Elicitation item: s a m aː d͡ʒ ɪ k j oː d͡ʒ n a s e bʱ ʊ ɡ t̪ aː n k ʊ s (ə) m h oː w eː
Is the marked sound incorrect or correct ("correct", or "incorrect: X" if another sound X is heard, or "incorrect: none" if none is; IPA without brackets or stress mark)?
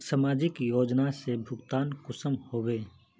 correct